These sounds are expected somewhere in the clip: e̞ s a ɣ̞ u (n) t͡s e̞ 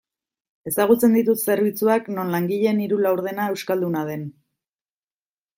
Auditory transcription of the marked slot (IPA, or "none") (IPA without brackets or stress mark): none